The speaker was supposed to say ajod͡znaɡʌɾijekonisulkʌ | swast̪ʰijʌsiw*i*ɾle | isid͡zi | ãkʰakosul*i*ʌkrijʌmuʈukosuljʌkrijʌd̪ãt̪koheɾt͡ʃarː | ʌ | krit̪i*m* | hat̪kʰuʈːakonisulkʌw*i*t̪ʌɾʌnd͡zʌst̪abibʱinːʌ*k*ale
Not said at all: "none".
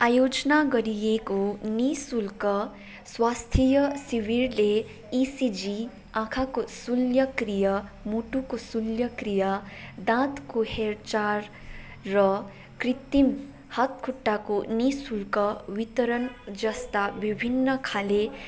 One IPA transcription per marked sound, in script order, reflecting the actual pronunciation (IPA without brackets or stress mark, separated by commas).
i, j, m, i, kʰ